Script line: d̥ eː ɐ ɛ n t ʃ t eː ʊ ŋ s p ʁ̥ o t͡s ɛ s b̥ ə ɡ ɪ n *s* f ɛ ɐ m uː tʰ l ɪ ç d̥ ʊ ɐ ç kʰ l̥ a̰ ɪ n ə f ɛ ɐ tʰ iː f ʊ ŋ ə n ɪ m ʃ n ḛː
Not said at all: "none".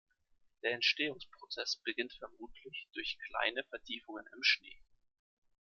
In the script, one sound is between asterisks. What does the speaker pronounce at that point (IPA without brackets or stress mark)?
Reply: t